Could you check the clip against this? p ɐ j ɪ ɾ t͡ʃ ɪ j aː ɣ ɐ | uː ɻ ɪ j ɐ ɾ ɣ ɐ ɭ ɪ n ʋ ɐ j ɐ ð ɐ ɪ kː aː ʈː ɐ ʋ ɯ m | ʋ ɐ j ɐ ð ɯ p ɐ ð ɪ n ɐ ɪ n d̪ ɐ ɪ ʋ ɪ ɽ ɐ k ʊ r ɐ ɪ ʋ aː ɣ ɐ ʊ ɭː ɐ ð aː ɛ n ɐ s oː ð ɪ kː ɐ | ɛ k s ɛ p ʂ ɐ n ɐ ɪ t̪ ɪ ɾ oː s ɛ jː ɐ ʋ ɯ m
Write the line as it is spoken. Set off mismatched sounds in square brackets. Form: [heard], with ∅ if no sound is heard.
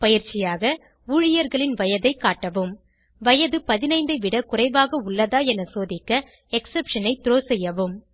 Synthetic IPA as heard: p ɐ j ɪ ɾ t͡ʃ ɪ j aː ɣ ɐ | uː ɻ ɪ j ɐ ɾ ɣ ɐ ɭ ɪ n ʋ ɐ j ɐ ð ɐ ɪ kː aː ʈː ɐ ʋ ɯ m | ʋ ɐ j ɐ ð ɯ p ɐ ð ɪ n ɐ ɪ n d̪ ɐ ɪ ʋ ɪ ɽ ɐ k ʊ r ɐ ɪ ʋ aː ɣ ɐ ʊ ɭː ɐ ð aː ɛ n ɐ s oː ð ɪ kː ɐ | ɛ k s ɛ p ʂ ɐ n ɐ ɪ t̪ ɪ ɾ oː s ɛ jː ɐ ʋ ɯ m